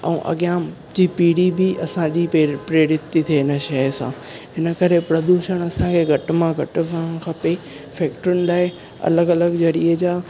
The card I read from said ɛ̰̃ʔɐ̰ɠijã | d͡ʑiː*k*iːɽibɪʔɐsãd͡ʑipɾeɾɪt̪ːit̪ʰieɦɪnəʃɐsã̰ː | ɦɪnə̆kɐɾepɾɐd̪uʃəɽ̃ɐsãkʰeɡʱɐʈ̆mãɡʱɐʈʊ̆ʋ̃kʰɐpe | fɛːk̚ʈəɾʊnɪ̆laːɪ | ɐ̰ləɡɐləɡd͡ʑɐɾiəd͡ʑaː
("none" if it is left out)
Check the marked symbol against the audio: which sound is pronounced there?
p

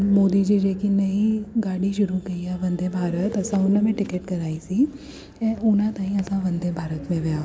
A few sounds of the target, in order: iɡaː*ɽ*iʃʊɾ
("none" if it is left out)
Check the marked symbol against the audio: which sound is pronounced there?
ɽ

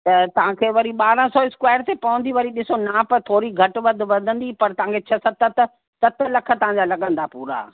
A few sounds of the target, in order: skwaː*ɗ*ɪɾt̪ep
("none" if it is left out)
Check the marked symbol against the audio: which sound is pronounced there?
none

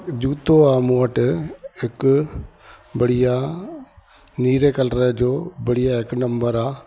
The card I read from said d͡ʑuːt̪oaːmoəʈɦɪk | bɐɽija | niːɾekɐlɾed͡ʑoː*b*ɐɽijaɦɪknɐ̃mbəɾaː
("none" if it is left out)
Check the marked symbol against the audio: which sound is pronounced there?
b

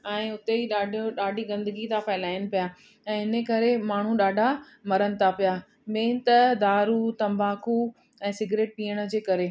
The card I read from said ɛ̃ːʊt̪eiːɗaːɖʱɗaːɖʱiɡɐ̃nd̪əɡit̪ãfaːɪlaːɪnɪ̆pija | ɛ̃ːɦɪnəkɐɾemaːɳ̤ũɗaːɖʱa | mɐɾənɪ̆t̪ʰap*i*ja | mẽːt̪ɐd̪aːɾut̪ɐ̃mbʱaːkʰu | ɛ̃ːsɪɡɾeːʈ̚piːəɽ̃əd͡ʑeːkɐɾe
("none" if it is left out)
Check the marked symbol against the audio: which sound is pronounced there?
i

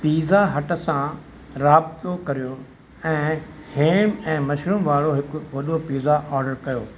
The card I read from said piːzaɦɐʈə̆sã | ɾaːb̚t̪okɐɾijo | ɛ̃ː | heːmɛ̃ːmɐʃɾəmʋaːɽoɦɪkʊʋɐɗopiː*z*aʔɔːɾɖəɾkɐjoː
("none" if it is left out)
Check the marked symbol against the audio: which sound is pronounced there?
z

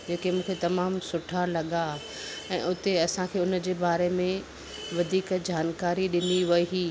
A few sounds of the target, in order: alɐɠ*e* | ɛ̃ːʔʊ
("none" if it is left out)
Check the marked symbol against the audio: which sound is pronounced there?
a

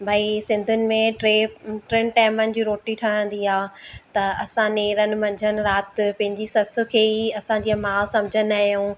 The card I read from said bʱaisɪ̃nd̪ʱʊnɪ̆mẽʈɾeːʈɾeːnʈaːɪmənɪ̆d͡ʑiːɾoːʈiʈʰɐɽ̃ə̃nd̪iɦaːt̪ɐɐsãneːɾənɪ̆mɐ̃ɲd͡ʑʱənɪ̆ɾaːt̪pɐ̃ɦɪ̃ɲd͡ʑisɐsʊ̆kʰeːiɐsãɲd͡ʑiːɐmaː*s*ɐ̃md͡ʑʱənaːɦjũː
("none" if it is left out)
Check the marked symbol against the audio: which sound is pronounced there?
s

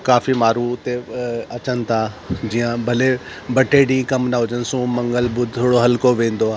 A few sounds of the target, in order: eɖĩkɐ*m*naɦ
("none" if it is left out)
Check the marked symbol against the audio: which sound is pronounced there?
m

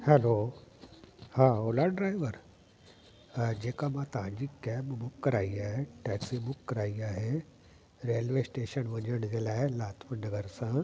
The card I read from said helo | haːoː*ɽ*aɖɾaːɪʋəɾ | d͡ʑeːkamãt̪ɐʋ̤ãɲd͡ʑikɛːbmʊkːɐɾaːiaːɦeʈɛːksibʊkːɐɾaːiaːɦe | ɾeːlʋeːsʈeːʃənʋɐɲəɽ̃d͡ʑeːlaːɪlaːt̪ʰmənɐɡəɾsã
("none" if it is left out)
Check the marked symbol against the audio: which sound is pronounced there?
l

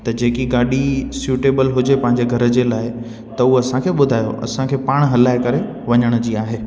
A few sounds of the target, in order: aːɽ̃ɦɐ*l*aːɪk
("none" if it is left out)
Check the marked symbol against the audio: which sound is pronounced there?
l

